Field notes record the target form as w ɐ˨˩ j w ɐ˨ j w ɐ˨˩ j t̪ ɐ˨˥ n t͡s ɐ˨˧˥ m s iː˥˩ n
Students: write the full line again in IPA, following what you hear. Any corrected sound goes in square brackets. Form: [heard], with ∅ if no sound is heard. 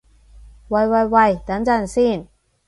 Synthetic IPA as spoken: w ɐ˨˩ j w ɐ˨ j w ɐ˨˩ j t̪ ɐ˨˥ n t͡s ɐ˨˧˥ [n] s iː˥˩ n